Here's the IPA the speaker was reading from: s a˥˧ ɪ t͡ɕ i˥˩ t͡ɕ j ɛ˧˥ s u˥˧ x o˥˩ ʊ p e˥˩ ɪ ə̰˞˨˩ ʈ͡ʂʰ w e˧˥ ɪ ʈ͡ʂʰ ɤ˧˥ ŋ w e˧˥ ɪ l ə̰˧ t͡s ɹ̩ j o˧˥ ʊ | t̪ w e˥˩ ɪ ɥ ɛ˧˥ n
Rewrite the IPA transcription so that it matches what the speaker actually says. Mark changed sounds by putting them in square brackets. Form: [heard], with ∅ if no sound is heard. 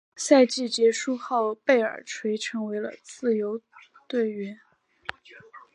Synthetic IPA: s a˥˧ ɪ t͡ɕ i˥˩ t͡ɕ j ɛ˧˥ [ʂ] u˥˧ x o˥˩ ʊ p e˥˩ ɪ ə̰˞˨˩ ʈ͡ʂʰ w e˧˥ ɪ ʈ͡ʂʰ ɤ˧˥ ŋ w e˧˥ ɪ l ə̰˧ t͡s ɹ̩ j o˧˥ ʊ | t̪ w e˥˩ ɪ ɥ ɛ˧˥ n